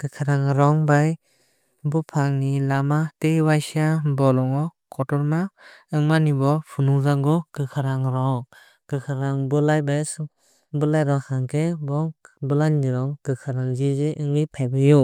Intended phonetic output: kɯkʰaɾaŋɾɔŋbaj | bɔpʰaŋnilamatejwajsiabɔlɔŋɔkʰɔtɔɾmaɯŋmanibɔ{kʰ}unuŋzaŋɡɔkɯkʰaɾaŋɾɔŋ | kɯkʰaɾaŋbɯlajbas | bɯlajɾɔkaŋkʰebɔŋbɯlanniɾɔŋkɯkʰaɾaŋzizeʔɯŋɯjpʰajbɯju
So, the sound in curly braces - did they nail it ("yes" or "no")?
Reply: no